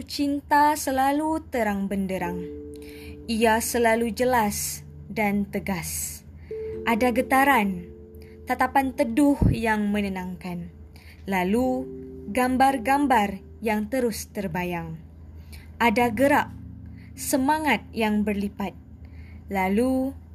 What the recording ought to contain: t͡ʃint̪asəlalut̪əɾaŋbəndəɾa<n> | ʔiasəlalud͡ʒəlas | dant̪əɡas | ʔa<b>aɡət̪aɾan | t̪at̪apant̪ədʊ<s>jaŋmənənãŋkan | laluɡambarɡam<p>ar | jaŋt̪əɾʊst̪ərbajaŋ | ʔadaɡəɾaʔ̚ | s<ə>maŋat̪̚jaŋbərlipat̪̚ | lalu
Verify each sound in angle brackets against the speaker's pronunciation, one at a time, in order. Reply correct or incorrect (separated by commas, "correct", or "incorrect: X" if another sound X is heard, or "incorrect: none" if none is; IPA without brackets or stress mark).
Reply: incorrect: ŋ, incorrect: d, incorrect: h, incorrect: b, correct